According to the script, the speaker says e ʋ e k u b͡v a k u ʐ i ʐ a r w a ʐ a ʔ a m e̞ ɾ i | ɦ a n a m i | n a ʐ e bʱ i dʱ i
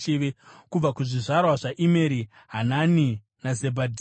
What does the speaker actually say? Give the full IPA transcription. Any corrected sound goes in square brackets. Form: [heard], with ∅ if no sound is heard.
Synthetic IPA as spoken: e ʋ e k u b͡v a k u ʐ i ʐ a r w a ʐ a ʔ [i] m e̞ ɾ i | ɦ a n a [n] i | n a [z] e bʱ [a] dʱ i